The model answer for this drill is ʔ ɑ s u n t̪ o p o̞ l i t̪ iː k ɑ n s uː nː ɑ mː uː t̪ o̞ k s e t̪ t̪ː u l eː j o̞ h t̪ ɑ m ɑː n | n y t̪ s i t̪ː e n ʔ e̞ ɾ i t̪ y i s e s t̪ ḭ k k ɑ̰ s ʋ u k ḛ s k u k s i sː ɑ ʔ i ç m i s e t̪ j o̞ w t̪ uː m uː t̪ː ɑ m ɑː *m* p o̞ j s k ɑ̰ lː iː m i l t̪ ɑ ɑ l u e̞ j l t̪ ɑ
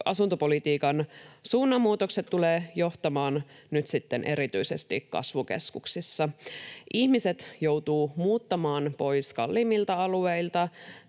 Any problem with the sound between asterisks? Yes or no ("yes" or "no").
yes